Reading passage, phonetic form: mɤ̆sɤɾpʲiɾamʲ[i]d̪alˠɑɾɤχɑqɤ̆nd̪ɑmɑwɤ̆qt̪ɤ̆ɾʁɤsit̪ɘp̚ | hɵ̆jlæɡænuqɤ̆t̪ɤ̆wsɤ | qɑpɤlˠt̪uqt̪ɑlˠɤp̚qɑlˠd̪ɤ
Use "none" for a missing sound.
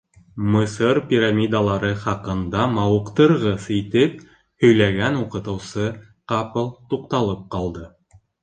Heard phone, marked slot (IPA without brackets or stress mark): i